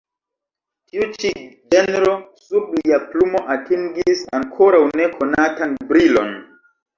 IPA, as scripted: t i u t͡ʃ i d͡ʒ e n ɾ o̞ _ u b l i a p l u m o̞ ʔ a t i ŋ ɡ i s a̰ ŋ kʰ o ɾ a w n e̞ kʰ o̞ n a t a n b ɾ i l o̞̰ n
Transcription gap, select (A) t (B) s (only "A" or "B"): B